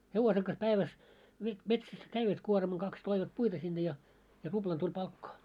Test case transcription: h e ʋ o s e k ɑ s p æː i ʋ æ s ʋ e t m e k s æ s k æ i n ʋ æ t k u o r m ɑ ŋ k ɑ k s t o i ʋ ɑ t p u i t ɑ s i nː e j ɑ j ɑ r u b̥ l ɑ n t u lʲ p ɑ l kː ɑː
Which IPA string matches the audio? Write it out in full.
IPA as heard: h e ʋ o s e k ɑ s p æ i ʋ æ s ʋ e t m e t s æ s k æ i ʋ æ t k u o r m ɑ ŋ k ɑ k s t o i ʋ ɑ t p u i t ɑ s i nː e j ɑ j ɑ r u b̥ l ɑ n t u lʲ p ɑ l kː ɑː